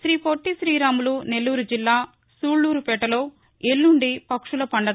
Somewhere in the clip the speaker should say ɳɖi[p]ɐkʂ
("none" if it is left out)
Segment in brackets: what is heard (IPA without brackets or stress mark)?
p